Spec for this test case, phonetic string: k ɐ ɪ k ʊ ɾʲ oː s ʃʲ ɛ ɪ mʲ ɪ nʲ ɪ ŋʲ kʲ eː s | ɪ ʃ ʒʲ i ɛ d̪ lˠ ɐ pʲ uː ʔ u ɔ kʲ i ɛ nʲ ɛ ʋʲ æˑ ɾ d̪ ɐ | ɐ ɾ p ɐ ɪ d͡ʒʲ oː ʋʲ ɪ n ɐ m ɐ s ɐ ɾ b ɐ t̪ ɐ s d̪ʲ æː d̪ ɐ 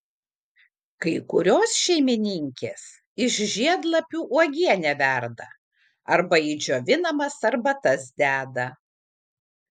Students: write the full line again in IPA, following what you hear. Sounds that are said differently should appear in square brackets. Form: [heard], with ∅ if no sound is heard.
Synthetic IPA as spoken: k ɐ ɪ k ʊ ɾʲ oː s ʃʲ ɛ ɪ mʲ ɪ nʲ ɪ ŋʲ kʲ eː s | ɪ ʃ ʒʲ i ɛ d̪ lˠ ɐ pʲ uː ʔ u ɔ [ɡʲ] i ɛ nʲ ɛ ʋʲ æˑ ɾ d̪ ɐ | ɐ ɾ [b] ɐ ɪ d͡ʒʲ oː ʋʲ ɪ n ɐ m ɐ s ɐ ɾ b ɐ t̪ ɐ s d̪ʲ æː d̪ ɐ

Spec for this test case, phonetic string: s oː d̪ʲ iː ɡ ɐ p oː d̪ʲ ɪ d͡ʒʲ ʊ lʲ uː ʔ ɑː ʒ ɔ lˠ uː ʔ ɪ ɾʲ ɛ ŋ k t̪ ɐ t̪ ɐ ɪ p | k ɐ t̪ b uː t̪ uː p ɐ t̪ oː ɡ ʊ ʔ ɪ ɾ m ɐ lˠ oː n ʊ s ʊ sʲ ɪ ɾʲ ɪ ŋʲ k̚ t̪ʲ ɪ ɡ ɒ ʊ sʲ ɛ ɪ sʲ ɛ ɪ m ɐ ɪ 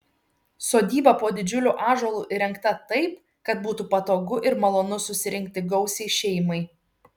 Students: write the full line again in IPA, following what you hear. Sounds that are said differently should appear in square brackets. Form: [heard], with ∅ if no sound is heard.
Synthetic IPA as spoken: s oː d̪ʲ iː [b] ɐ p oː d̪ʲ ɪ d͡ʒʲ ʊ lʲ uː ʔ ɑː ʒ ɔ lˠ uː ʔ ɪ ɾʲ ɛ ŋ k t̪ ɐ t̪ ɐ ɪ p | k ɐ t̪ b uː t̪ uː p ɐ t̪ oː ɡ ʊ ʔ ɪ ɾ m ɐ lˠ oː n ʊ s ʊ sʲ ɪ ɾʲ ɪ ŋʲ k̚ t̪ʲ ɪ ɡ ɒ ʊ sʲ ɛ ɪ [ʃʲ] ɛ ɪ m ɐ ɪ

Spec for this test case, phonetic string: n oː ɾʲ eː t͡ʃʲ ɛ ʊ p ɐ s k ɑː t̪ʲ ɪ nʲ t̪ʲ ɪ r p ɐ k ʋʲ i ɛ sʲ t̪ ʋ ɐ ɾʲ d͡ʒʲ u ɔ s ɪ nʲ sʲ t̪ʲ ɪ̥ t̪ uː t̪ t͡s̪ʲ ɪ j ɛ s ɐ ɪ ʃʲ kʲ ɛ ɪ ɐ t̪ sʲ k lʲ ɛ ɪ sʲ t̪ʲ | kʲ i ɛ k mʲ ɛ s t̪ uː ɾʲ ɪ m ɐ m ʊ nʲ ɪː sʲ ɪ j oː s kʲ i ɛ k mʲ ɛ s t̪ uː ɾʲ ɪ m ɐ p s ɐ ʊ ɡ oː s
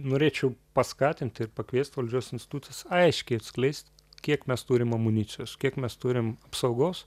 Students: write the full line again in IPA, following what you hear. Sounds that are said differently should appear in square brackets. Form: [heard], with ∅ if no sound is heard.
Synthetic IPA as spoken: n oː ɾʲ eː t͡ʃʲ ɛ ʊ p ɐ s k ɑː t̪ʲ ɪ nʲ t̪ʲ ɪ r p ɐ k ʋʲ i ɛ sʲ t̪ ʋ ɐ [lʲ] d͡ʒʲ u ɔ s ɪ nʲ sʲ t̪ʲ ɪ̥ t̪ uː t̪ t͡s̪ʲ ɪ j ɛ s ɐ ɪ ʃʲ kʲ ɛ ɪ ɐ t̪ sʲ k lʲ ɛ ɪ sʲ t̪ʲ | kʲ i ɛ k mʲ ɛ s t̪ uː ɾʲ ɪ m ɐ m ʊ nʲ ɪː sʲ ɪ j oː s kʲ i ɛ k mʲ ɛ s t̪ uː ɾʲ ɪ m ɐ p s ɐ ʊ ɡ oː s

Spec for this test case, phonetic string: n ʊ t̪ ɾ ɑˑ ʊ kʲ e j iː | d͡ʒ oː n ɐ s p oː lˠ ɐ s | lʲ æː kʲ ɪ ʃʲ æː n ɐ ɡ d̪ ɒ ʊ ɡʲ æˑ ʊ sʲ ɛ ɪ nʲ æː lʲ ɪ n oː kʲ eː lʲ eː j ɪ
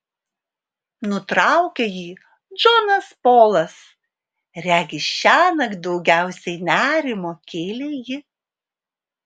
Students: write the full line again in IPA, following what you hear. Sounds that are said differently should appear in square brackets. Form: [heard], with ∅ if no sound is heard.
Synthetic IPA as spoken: n ʊ t̪ ɾ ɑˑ ʊ kʲ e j iː | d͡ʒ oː n ɐ s p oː lˠ ɐ s | [ɾʲ] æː [ɡʲ] ɪ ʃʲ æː n ɐ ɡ d̪ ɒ ʊ ɡʲ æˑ ʊ sʲ ɛ ɪ nʲ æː [ɾʲ] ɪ [m] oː kʲ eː lʲ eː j ɪ

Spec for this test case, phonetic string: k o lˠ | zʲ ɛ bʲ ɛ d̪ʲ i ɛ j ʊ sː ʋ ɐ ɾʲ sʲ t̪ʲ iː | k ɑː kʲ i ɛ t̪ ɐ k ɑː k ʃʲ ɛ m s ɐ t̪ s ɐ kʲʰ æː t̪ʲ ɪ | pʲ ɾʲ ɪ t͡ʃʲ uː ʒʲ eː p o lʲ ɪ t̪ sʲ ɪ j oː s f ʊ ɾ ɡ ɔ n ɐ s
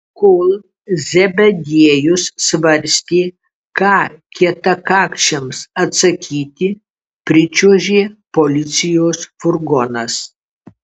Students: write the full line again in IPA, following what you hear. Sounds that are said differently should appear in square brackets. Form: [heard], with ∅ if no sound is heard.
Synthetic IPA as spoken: k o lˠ | zʲ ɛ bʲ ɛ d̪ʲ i ɛ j ʊ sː ʋ ɐ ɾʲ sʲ t̪ʲ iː | k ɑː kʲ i ɛ t̪ ɐ k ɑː k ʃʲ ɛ m s ɐ t̪ s ɐ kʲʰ [iː] t̪ʲ ɪ | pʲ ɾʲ ɪ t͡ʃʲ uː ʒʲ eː p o lʲ ɪ t̪ sʲ ɪ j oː s f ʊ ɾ ɡ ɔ n ɐ s

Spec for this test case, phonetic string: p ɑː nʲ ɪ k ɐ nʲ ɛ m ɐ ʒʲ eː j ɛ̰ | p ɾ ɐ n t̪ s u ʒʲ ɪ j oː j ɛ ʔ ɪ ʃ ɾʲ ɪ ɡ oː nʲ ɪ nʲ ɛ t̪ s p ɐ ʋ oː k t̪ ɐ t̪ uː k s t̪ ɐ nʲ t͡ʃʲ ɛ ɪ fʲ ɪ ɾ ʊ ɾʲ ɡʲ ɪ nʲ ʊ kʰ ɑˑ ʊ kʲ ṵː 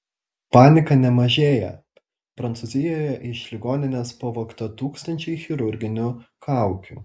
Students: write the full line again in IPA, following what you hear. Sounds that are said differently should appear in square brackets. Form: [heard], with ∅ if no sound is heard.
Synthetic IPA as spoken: p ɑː nʲ ɪ k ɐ nʲ ɛ m ɐ ʒʲ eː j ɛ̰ | p ɾ ɐ n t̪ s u [zʲ] ɪ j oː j ɛ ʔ ɪ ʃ [lʲ] ɪ ɡ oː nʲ ɪ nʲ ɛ [∅] s p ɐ ʋ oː k t̪ ɐ t̪ uː k s t̪ ɐ nʲ t͡ʃʲ ɛ ɪ [xʲ] ɪ ɾ ʊ ɾʲ ɡʲ ɪ nʲ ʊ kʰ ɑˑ ʊ kʲ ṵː

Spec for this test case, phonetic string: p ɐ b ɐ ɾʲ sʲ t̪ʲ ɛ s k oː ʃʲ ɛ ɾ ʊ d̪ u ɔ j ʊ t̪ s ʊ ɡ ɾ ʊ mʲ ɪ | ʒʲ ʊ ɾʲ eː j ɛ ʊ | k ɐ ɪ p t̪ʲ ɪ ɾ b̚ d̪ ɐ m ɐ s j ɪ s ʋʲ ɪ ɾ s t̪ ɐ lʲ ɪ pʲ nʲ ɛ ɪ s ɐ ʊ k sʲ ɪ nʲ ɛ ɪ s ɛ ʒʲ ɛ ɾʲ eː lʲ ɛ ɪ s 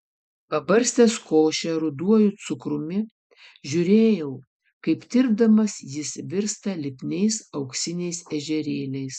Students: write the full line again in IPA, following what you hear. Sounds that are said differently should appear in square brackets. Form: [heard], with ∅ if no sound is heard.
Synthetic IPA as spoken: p ɐ b ɐ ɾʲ sʲ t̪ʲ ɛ s k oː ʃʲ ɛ ɾ ʊ d̪ u ɔ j ʊ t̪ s ʊ [k] ɾ ʊ mʲ ɪ | ʒʲ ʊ ɾʲ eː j ɛ ʊ | k ɐ ɪ p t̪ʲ ɪ ɾ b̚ d̪ ɐ m ɐ s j ɪ s ʋʲ ɪ ɾ s t̪ ɐ lʲ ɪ pʲ nʲ ɛ ɪ s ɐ ʊ k sʲ ɪ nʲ ɛ ɪ s ɛ ʒʲ ɛ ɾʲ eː lʲ ɛ ɪ s

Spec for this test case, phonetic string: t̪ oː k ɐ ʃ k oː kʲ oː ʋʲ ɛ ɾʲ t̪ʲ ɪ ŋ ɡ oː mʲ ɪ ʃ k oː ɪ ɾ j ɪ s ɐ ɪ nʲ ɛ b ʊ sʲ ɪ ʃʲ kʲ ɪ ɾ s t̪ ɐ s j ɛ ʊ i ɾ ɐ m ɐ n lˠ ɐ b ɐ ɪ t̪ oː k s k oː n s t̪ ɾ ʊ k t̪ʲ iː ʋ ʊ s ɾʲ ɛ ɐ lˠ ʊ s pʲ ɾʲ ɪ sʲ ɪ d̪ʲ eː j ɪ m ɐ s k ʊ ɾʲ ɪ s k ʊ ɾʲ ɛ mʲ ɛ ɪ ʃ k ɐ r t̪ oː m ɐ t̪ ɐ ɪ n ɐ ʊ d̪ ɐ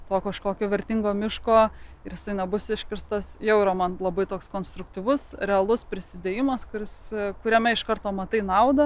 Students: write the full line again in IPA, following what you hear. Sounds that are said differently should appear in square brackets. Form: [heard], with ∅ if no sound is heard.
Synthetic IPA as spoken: t̪ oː k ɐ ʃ k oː kʲ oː ʋʲ ɛ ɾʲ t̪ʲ ɪ ŋ ɡ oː mʲ ɪ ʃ k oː ɪ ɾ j ɪ s ɐ ɪ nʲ ɛ b ʊ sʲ ɪ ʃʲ kʲ ɪ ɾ s t̪ ɐ s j ɛ ʊ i ɾ ɐ m ɐ n lˠ ɐ b ɐ ɪ t̪ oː k s k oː n s t̪ ɾ ʊ k t̪ʲ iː ʋ ʊ s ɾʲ ɛ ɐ lˠ ʊ s pʲ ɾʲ ɪ sʲ ɪ d̪ʲ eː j ɪ m ɐ s k ʊ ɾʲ ɪ s k ʊ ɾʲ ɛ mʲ ɛ ɪ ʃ k ɐ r t̪ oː m ɐ t̪ ɐ ɪ n ɐ ʊ d̪ ɐ

